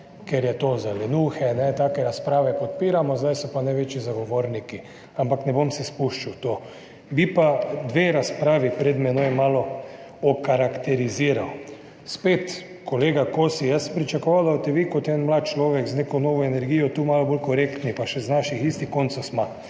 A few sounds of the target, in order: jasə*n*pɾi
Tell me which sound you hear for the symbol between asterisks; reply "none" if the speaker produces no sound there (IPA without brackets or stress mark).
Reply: m